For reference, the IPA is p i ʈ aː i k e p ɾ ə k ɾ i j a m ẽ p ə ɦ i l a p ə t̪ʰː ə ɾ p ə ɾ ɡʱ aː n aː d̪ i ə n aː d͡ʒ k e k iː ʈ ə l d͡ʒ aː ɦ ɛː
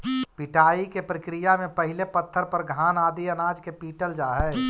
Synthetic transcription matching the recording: p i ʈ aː i k e p ɾ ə k ɾ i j a m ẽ p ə ɦ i l e p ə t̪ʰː ə ɾ p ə ɾ ɡʱ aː n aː d̪ i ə n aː d͡ʒ k e p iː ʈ ə l d͡ʒ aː ɦ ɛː